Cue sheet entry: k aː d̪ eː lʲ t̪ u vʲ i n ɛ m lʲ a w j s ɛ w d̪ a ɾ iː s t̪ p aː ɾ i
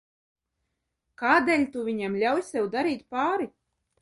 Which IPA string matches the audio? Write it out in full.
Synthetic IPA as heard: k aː d̪ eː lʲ t̪ u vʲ i ɲ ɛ m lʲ a w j s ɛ w d̪ a ɾ iː t̪ p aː ɾ i